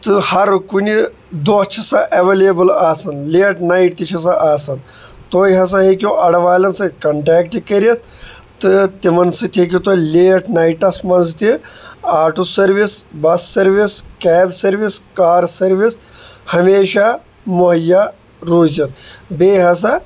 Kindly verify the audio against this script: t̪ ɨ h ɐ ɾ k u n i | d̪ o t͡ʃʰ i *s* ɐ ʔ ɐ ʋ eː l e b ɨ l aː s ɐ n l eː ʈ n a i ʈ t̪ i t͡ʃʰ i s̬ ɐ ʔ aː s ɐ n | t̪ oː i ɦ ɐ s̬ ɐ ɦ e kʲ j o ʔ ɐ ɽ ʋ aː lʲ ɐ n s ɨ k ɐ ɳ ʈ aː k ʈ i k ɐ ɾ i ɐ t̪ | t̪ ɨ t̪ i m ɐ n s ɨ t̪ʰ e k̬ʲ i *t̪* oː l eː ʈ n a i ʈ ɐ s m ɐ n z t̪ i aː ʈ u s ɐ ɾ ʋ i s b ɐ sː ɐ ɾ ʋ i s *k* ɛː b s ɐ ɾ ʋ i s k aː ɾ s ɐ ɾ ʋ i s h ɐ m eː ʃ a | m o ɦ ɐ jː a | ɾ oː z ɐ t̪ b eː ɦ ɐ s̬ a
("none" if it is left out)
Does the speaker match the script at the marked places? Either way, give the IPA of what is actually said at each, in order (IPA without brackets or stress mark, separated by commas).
s, t̪, k